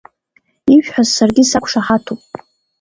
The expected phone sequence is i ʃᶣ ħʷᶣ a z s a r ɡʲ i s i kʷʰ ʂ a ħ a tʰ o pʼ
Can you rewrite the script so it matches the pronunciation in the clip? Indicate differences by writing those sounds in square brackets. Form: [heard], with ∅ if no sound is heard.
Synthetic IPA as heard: i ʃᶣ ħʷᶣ a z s a r ɡʲ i s [a] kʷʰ ʂ a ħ a tʰ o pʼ